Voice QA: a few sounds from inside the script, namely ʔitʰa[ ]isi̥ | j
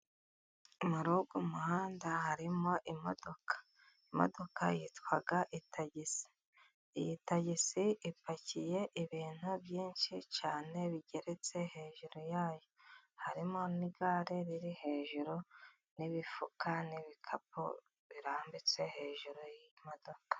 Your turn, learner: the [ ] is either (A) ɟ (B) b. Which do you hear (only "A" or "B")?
A